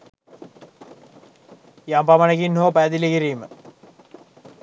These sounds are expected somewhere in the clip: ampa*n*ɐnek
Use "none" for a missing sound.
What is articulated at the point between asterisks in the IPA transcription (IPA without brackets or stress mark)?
m